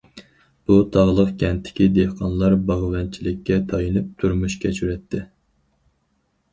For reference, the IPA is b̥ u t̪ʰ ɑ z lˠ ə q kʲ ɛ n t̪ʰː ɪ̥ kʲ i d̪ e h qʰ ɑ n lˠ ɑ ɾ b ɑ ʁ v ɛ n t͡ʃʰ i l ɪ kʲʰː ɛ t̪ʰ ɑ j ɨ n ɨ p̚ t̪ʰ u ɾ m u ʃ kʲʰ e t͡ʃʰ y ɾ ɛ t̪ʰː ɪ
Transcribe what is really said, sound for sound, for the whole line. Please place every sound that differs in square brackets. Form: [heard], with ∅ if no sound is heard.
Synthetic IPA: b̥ u t̪ʰ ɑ [ʁ] lˠ ə q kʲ ɛ n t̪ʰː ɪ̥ kʲ i d̪ e h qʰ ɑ n lˠ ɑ ɾ b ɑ ʁ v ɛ n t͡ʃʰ i l ɪ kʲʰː ɛ t̪ʰ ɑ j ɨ n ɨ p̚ t̪ʰ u ɾ m u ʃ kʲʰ [ɛ] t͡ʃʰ y ɾ ɛ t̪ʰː ɪ